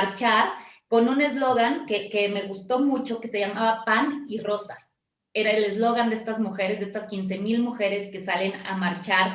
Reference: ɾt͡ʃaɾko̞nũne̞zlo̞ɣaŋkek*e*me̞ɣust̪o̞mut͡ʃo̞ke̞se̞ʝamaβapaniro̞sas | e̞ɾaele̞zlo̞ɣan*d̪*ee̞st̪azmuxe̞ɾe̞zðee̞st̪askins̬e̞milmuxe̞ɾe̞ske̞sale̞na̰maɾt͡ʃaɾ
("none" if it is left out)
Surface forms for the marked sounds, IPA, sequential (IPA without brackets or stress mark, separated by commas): e, d̪